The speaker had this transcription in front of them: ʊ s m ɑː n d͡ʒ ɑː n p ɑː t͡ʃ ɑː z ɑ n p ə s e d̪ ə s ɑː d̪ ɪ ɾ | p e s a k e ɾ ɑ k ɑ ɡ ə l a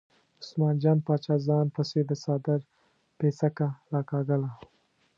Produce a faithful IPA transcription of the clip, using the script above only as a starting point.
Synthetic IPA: ʊ s m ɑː n d͡ʒ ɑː n p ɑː t͡ʃ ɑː z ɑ n p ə s e d̪ ə s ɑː d̪ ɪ ɾ | p e s a k a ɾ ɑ k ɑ ɡ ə l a